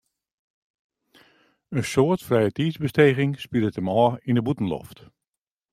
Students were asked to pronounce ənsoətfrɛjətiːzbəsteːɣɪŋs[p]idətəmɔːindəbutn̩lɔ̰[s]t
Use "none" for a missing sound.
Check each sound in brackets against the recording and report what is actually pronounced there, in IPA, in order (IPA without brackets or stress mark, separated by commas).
p, f